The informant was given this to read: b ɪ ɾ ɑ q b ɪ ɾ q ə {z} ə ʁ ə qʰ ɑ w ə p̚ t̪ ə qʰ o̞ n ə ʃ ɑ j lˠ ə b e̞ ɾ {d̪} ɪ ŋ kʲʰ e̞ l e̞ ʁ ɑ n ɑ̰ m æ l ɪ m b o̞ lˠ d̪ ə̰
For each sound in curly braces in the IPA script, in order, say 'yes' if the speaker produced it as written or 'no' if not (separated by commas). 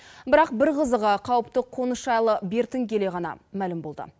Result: yes, no